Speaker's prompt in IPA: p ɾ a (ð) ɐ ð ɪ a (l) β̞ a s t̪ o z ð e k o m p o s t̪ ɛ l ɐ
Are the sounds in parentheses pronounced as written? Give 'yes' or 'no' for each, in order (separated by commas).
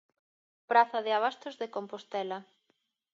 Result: no, no